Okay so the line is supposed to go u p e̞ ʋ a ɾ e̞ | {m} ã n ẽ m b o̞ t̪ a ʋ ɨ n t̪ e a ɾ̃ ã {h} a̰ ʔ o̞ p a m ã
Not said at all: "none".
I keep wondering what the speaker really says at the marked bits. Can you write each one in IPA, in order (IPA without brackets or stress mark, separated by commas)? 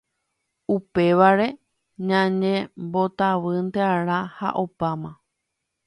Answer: ɲ, h